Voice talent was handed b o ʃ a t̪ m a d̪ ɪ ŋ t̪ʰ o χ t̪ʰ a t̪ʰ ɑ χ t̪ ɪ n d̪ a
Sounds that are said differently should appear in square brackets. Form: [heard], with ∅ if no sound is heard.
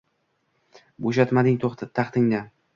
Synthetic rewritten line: b o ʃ a t̪ m a d̪ ɪ ŋ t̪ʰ o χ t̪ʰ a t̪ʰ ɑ χ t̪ ɪ [ŋ] d̪ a